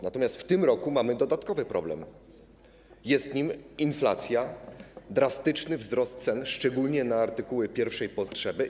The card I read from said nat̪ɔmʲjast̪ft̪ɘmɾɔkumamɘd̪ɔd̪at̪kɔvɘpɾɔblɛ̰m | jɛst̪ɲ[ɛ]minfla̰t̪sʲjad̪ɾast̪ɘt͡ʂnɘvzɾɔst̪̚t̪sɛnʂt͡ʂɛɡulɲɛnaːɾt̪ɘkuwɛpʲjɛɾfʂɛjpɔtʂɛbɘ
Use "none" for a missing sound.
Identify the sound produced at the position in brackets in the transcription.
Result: i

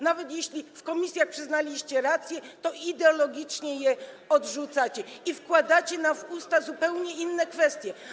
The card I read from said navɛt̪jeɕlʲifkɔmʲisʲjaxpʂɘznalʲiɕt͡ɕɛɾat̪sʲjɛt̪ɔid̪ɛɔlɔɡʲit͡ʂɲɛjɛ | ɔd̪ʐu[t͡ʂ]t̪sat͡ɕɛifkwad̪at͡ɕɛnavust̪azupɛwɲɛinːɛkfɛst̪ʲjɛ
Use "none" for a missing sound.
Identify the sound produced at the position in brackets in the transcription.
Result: none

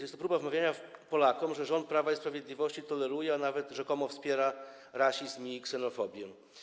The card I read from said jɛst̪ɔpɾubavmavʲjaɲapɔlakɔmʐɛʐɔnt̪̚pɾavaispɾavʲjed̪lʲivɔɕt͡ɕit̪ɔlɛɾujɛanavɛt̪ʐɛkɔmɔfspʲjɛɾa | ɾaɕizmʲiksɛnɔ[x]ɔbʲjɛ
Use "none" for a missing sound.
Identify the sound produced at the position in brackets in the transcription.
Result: f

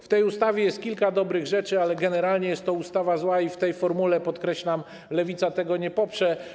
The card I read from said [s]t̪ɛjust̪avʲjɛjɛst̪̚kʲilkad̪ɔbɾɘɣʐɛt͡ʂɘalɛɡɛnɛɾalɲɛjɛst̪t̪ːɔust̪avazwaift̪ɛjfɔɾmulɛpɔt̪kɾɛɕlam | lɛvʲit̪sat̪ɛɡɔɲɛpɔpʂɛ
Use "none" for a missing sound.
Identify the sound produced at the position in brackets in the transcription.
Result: f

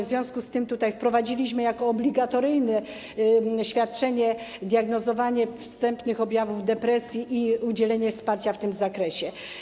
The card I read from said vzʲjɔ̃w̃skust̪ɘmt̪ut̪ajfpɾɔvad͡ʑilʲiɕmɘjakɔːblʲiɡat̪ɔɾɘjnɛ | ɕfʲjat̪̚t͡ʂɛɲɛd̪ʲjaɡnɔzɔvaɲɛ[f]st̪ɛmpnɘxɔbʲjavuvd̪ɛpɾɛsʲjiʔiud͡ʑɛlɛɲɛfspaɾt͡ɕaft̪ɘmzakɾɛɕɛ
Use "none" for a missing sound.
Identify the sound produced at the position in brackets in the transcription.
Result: f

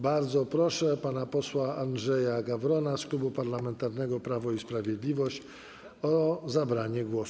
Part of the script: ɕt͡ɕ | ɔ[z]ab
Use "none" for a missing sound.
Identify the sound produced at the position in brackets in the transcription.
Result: z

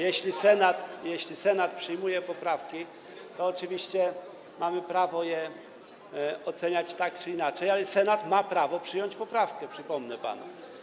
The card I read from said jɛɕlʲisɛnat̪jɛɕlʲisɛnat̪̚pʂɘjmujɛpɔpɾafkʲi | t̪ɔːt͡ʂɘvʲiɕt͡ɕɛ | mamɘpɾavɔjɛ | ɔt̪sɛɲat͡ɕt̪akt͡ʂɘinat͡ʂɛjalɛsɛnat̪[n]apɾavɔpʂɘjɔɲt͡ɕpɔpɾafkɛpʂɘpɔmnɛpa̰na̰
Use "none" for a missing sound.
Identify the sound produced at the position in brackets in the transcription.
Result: m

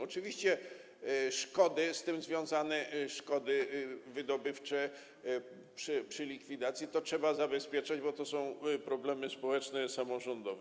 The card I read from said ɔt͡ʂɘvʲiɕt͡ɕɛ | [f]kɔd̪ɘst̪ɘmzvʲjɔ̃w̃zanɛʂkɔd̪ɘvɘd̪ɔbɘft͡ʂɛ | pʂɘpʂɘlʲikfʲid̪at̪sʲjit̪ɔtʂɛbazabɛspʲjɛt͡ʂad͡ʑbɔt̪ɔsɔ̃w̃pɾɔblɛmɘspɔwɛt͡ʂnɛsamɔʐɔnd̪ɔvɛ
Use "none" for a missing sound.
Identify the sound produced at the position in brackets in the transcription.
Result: ʂ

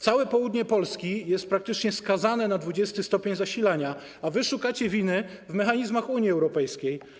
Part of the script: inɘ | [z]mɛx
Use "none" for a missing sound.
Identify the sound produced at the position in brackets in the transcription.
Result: v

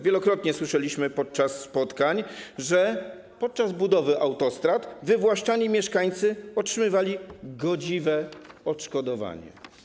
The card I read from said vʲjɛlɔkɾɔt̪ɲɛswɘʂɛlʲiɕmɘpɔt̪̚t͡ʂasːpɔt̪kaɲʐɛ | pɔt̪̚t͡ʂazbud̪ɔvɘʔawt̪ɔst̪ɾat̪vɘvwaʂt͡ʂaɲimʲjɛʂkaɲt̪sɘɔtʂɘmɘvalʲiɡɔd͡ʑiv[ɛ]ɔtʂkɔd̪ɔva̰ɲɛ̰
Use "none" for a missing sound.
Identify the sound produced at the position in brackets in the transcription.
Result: ɛ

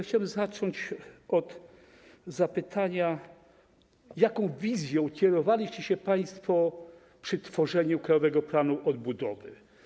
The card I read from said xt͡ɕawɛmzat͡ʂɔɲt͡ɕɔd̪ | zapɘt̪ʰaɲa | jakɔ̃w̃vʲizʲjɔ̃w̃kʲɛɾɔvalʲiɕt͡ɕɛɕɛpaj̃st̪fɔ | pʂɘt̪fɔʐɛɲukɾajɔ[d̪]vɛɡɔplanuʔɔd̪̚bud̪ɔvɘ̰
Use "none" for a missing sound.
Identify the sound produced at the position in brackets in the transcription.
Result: none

